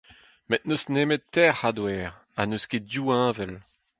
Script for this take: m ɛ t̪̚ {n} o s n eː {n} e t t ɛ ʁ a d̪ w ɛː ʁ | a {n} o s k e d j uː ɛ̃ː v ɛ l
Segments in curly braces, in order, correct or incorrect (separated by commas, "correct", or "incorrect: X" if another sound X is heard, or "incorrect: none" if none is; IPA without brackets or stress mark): correct, incorrect: m, correct